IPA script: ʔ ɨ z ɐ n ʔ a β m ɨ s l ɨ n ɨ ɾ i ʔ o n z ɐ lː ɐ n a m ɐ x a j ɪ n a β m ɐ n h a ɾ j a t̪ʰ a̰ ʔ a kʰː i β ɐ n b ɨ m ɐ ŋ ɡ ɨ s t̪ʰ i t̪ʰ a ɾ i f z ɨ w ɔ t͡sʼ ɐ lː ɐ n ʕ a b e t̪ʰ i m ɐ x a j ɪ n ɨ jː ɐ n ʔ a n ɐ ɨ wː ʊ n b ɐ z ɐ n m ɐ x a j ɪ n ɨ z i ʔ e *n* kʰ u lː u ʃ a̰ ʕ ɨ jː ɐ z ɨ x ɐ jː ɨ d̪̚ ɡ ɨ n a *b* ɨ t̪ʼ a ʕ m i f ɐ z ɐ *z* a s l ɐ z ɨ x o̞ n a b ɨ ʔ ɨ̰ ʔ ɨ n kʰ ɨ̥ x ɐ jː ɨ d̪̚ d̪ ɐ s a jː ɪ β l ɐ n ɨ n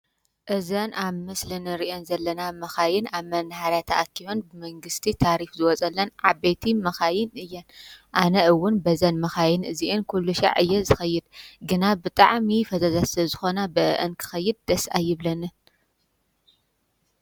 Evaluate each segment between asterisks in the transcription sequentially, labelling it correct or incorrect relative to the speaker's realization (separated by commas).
correct, correct, correct